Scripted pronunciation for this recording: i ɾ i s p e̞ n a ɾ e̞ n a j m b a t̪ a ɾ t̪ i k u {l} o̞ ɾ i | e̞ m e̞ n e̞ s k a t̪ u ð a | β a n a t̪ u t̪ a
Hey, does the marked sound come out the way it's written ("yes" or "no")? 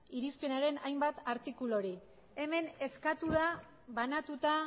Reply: yes